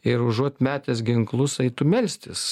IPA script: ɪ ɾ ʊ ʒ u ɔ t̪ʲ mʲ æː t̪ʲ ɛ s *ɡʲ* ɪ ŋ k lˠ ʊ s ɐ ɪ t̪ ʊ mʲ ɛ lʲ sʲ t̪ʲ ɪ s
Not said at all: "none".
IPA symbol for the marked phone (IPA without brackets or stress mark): ɡʲ